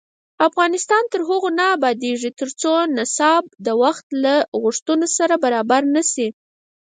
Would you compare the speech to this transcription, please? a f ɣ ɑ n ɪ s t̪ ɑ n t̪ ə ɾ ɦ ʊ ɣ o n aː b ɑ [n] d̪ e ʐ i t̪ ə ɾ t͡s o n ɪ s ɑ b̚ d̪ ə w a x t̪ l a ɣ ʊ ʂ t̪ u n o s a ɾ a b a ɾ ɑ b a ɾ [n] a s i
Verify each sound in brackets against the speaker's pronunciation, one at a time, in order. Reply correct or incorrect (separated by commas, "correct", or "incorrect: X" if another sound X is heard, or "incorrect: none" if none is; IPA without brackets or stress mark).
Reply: incorrect: none, correct